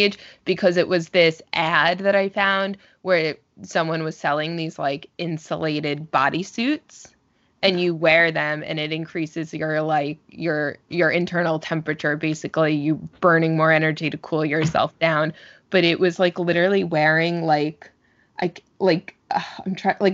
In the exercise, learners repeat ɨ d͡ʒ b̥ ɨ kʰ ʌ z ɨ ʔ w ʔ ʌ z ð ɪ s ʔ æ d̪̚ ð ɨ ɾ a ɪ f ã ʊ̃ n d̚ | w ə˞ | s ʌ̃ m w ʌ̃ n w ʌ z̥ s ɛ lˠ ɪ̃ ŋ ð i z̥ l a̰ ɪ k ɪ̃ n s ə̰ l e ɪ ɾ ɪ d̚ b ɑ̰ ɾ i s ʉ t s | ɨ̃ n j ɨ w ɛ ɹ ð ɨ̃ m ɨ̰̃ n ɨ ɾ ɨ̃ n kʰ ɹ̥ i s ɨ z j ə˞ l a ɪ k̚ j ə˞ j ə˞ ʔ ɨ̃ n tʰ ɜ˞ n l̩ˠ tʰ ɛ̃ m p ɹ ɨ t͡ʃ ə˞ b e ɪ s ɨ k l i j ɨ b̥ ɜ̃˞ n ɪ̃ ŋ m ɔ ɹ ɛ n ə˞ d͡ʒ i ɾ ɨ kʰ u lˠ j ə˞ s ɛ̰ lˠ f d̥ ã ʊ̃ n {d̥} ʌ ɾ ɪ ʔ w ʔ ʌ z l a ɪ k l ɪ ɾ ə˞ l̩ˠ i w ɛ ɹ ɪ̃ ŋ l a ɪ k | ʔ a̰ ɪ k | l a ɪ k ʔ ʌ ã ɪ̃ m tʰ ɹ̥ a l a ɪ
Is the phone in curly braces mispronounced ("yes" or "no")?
yes